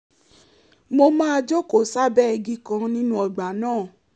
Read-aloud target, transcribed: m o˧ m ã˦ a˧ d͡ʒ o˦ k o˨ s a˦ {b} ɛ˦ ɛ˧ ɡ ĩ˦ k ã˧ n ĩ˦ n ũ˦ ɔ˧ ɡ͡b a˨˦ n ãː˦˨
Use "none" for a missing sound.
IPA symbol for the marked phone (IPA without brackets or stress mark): b